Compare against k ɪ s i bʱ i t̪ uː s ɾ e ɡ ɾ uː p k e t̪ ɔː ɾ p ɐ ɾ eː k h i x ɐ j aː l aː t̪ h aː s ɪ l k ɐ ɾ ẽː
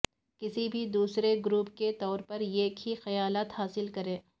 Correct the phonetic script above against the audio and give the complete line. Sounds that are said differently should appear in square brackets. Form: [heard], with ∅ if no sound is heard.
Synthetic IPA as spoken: k ɪ s i bʱ i [d̪] uː s ɾ e ɡ ɾ uː p k e t̪ ɔː ɾ p ɐ ɾ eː k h i x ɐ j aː l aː t̪ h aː s ɪ l k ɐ ɾ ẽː